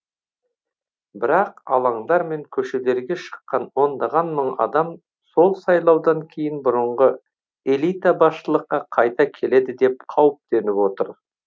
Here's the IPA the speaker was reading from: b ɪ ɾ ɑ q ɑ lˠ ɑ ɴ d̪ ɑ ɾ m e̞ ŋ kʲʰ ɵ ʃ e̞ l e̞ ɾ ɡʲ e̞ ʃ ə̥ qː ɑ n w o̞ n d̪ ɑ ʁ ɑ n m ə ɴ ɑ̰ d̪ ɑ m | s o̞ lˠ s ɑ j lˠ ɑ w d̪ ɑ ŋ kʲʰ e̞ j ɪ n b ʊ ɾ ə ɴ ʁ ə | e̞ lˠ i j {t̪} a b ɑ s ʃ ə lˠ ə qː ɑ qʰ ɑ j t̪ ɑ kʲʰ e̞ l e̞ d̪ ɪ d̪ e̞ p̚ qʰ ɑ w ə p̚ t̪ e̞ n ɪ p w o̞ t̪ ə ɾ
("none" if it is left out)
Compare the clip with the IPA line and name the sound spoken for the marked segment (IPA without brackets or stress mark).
t̪